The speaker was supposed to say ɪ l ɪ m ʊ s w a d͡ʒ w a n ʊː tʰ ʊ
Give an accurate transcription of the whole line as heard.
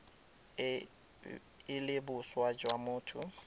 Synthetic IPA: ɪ l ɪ b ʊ s w a d͡ʒ w a m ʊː tʰ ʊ